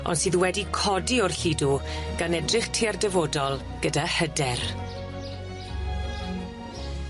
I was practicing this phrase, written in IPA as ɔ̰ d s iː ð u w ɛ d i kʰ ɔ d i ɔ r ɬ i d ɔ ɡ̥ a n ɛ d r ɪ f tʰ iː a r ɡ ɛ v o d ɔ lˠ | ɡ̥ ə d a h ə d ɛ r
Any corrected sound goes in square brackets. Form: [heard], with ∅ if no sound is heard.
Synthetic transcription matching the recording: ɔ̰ [n] s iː ð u w ɛ d i kʰ ɔ d i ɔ r ɬ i d [u] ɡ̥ a n ɛ d r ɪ [χ] tʰ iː a r [d] ɛ v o d ɔ lˠ | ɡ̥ ə d a h ə d ɛ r